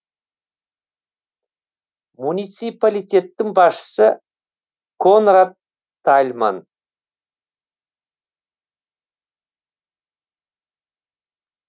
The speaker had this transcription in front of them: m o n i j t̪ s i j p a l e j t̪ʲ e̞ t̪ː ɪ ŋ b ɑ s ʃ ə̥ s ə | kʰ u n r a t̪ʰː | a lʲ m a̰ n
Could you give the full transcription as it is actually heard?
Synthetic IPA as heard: m u n i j t̪ s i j p a l i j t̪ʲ e̞ t̪ː ɪ ŋ b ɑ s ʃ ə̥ s ə | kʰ o n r a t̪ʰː | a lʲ m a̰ n